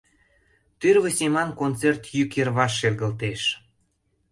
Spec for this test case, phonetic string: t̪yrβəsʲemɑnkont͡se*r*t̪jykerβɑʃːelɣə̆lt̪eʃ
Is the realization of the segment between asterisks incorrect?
no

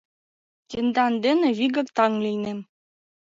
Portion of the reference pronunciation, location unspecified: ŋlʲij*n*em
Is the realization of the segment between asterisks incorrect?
no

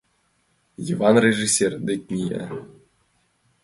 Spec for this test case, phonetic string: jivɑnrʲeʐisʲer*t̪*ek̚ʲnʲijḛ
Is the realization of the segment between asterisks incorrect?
yes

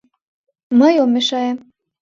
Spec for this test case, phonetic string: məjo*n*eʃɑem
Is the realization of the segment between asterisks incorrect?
yes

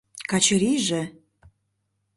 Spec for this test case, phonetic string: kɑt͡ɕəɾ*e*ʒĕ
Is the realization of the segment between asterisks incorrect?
yes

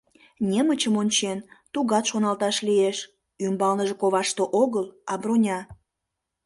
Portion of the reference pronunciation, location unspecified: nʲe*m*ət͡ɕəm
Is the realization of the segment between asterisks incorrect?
no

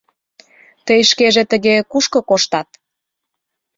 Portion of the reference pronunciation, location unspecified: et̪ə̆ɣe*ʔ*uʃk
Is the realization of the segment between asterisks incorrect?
yes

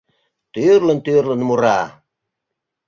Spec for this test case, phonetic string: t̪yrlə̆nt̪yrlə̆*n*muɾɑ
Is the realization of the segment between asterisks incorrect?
no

